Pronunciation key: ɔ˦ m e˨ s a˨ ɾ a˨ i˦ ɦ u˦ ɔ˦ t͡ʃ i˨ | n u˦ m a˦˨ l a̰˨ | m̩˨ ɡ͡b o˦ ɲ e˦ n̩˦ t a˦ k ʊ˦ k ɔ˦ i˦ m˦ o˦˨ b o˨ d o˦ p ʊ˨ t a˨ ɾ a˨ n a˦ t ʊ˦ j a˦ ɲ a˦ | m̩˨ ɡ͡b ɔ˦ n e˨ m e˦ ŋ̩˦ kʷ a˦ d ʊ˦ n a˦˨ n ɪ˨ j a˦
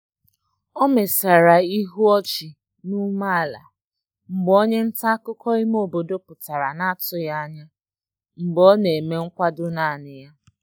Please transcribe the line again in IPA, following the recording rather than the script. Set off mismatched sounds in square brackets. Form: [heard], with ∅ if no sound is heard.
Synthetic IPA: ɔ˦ m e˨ s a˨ ɾ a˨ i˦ ɦ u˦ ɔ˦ t͡ʃ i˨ | n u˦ m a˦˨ l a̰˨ | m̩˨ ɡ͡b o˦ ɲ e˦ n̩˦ t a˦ k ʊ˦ k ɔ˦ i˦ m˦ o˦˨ b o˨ d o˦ p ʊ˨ t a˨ ɾ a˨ n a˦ t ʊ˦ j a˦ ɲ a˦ | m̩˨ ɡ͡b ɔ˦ n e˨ m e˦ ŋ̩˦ kʷ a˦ d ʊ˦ n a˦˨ n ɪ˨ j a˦